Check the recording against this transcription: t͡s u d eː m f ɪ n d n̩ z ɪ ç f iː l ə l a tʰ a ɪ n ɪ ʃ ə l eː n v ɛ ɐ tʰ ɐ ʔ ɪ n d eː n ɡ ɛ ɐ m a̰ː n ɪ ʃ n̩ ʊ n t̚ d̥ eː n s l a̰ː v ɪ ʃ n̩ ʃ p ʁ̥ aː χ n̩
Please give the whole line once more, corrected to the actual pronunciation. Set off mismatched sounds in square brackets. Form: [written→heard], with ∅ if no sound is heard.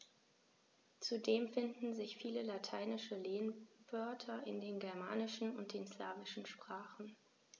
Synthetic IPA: t͡s u d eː m f ɪ n d n̩ z ɪ ç f iː l ə l a tʰ a ɪ n ɪ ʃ ə l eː n v [ɛ→œ] ɐ tʰ ɐ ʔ ɪ n d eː n ɡ ɛ ɐ m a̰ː n ɪ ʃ n̩ ʊ n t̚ d̥ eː n s l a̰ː v ɪ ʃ n̩ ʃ p ʁ̥ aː χ n̩